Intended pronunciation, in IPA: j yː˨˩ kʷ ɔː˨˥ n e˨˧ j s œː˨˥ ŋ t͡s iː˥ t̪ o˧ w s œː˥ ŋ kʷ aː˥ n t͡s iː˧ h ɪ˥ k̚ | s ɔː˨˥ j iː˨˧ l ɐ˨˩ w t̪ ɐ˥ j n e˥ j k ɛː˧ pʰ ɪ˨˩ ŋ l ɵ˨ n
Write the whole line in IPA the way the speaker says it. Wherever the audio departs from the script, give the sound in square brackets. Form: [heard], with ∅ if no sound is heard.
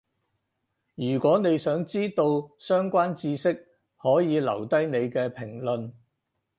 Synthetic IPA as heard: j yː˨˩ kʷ ɔː˨˥ n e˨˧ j s œː˨˥ ŋ t͡s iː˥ t̪ o˧ w s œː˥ ŋ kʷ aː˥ n t͡s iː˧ [s] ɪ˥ k̚ | [h] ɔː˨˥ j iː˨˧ l ɐ˨˩ w t̪ ɐ˥ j n [e˨˧] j k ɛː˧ pʰ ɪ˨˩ ŋ l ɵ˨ n